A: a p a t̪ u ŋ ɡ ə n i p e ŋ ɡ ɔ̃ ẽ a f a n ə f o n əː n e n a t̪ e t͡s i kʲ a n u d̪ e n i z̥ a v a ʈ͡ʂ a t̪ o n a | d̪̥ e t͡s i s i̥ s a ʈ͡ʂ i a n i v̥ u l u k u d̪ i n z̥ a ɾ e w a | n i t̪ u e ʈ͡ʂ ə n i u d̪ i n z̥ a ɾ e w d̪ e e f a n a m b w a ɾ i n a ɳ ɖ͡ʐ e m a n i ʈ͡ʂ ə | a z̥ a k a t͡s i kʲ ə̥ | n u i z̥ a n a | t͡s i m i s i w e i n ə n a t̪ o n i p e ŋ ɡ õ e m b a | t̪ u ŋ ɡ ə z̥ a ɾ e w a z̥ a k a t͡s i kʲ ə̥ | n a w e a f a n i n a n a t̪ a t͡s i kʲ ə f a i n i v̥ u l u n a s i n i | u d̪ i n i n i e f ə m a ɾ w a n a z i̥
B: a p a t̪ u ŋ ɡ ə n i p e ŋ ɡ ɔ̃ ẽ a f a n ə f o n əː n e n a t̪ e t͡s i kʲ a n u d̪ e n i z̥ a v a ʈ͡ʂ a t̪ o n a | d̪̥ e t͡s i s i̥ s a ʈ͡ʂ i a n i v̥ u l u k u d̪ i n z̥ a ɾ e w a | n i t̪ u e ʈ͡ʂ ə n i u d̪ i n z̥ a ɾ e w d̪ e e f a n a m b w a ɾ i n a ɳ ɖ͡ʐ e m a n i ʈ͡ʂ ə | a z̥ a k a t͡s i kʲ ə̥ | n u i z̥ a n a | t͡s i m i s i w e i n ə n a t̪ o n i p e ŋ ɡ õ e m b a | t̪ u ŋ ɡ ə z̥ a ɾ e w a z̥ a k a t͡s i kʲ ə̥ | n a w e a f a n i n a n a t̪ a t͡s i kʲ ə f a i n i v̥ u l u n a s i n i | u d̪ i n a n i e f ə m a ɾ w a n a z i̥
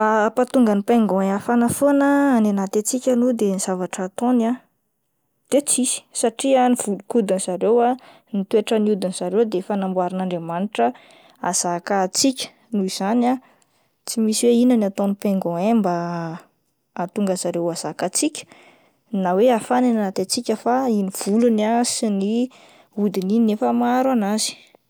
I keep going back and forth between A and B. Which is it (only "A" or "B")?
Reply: A